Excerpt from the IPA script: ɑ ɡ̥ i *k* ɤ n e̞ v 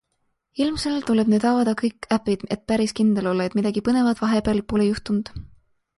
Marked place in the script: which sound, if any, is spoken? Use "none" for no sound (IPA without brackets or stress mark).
p